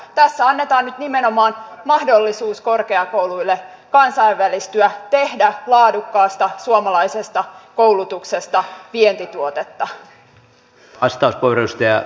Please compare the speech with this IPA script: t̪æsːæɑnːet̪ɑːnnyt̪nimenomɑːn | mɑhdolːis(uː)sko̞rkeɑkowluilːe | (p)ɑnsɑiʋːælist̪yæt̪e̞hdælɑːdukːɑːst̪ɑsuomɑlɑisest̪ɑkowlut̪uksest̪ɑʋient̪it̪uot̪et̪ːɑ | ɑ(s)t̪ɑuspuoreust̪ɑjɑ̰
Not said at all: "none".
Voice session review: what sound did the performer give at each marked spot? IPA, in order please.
uː, k, s

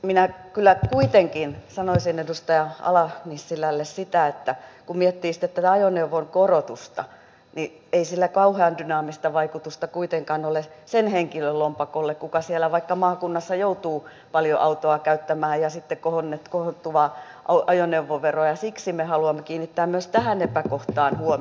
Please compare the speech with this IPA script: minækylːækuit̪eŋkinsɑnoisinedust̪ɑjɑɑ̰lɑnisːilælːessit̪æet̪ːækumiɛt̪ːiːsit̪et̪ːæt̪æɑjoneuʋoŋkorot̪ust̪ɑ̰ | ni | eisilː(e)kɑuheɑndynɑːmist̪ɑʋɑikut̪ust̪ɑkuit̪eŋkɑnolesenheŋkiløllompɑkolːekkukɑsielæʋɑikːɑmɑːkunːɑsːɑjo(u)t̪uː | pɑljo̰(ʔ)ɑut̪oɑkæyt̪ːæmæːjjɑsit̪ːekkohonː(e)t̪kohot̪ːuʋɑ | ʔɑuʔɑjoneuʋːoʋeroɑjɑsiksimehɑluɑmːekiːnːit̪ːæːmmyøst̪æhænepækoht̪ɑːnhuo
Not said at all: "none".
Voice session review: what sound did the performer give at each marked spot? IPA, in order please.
æ, u, ʔ, e

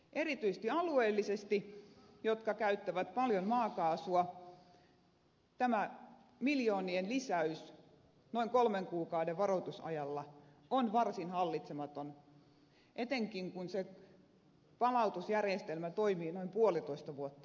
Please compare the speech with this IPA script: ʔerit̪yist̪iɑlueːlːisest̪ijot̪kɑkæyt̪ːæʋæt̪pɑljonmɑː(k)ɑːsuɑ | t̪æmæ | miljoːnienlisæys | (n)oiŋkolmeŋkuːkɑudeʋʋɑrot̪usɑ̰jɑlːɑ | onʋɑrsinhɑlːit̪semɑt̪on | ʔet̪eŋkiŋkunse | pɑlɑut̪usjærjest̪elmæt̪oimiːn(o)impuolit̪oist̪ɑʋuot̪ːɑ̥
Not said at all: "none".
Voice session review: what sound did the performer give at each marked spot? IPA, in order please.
k, n, o

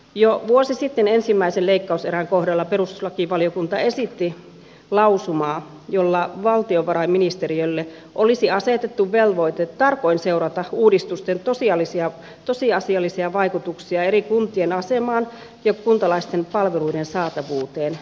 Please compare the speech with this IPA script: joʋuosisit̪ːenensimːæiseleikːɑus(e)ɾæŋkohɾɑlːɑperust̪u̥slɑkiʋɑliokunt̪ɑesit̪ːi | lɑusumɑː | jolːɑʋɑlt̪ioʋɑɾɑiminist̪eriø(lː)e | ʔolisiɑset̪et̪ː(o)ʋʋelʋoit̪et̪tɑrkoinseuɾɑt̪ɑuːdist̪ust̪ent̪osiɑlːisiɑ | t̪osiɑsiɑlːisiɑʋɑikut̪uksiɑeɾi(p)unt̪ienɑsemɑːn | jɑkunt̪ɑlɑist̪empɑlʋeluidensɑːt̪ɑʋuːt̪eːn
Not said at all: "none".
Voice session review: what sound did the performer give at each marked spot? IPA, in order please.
e, lː, u, k

